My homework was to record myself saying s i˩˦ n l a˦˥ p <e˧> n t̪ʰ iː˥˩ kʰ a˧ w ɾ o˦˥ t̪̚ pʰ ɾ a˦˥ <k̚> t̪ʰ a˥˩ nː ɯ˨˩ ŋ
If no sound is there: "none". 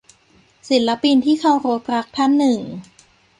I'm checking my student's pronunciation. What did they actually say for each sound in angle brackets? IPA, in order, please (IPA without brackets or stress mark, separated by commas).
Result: i˧, k̚